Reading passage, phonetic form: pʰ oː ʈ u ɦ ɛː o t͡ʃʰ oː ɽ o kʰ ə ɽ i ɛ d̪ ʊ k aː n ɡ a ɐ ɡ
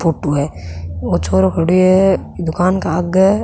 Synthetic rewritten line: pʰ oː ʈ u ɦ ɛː o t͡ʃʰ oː ɾ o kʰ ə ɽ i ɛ d̪ ʊ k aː n k a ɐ ɡ

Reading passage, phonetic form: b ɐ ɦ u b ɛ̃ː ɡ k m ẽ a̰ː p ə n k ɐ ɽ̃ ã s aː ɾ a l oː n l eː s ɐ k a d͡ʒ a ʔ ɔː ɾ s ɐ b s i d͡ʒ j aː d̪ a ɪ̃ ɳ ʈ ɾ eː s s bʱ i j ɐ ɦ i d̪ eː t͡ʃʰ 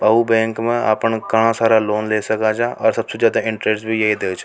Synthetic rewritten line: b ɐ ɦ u b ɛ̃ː ŋ k m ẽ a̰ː p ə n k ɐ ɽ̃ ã s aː ɾ a l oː n l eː s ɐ k a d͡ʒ a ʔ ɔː ɾ s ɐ b s e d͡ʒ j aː d̪ a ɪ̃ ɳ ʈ ɾ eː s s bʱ i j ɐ ɦ i d̪ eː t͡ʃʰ

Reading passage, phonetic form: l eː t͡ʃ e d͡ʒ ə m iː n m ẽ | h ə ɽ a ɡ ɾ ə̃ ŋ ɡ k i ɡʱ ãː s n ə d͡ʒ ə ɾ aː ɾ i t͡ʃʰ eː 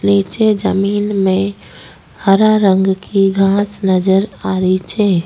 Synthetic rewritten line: l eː t͡ʃ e d͡ʒ ə m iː n m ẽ | h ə ɾ a ɾ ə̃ ŋ ɡ k i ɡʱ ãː s n ə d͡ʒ ə ɾ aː ɾ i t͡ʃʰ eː

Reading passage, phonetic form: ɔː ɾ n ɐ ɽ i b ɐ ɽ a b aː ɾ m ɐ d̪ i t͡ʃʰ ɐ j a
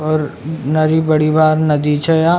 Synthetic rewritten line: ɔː ɾ n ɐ ɾ i b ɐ ɽ i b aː ɾ n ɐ d̪ i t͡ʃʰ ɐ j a

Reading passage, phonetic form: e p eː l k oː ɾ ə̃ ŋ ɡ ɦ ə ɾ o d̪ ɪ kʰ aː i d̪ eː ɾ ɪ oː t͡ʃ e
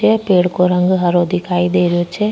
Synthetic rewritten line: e p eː ɽ k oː ɾ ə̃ ŋ ɡ ɦ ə ɾ o d̪ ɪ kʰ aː i d̪ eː ɾ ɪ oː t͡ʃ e

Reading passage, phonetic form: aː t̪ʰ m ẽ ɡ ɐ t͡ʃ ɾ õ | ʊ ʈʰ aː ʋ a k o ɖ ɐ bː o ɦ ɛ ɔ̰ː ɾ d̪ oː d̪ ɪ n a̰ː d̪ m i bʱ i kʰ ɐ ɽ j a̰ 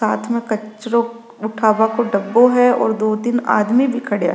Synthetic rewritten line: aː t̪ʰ m ẽ k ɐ t͡ʃ ɾ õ | ʊ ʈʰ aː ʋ a k o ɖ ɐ bː o ɦ ɛ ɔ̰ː ɾ d̪ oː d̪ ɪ n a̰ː d̪ m i bʱ i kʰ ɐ ɽ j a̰

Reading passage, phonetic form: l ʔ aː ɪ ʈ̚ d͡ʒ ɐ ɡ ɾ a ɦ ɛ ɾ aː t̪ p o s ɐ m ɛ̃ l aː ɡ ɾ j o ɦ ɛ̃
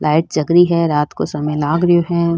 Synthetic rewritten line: l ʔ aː ɪ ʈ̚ d͡ʒ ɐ ɡ ɾ i ɦ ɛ ɾ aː t̪ k o s ɐ m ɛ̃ l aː ɡ ɾ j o ɦ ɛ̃

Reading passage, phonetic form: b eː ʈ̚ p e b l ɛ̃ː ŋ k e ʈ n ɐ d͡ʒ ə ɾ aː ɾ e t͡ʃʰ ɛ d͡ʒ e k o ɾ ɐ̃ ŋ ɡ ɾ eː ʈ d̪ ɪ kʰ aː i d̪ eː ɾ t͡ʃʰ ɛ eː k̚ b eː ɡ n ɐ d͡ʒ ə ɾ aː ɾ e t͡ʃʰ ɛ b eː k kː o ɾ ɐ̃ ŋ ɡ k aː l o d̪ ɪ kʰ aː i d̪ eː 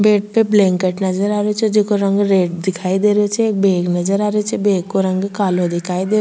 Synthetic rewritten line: b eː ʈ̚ p e b l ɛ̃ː ŋ k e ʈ n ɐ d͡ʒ ə ɾ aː ɾ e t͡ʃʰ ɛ d͡ʒ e k o ɾ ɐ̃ ŋ ɡ ɾ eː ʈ d̪ ɪ kʰ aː i d̪ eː ɾ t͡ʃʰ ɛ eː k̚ b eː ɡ n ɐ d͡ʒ ə ɾ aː ɾ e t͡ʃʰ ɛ b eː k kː o ɾ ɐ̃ ŋ ɡ k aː l o d̪ ɪ kʰ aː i d̪ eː

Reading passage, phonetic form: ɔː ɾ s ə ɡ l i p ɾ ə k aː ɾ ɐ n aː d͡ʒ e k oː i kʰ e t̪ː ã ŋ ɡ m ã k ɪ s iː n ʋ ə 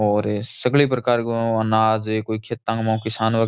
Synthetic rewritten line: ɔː ɾ s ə ɡ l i p ɾ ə k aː ɾ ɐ n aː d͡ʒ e k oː i kʰ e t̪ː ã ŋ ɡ m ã k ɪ s aː n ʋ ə

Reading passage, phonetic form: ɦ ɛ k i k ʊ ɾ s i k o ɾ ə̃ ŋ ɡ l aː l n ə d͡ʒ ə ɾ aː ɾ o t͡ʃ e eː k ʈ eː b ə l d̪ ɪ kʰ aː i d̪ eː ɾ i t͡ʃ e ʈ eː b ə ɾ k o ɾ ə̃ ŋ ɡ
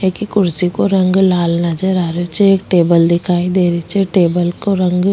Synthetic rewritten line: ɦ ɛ k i k ʊ ɾ s i k o ɾ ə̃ ŋ ɡ l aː l n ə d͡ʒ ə ɾ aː ɾ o t͡ʃ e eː k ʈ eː b ə l d̪ ɪ kʰ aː i d̪ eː ɾ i t͡ʃ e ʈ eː b ə l k o ɾ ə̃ ŋ ɡ

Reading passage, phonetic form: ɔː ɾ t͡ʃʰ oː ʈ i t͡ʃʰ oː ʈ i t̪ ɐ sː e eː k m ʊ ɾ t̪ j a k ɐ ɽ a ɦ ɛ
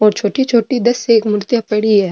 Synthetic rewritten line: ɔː ɾ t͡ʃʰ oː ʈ i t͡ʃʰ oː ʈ i d̪ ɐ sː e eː k m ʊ ɾ t̪ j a p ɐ ɽ i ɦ ɛ

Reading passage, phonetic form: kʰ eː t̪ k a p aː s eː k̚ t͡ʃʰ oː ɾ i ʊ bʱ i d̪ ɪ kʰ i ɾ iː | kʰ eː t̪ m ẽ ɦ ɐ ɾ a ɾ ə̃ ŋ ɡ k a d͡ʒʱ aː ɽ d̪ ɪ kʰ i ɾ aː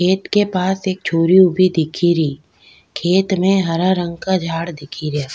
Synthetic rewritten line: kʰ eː t̪ k e p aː s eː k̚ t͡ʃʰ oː ɾ i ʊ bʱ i d̪ ɪ kʰ i ɾ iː | kʰ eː t̪ m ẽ ɦ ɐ ɾ a ɾ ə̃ ŋ ɡ k a d͡ʒʱ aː ɽ d̪ ɪ kʰ i ɾ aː

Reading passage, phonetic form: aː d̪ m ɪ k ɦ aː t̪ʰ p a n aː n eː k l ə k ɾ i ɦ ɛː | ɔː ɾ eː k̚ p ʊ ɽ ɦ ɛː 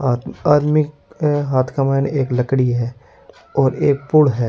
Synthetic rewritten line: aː d̪ m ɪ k ɦ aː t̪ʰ k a m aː n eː k l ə k ɽ i ɦ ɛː | ɔː ɾ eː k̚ p ʊ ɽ ɦ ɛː

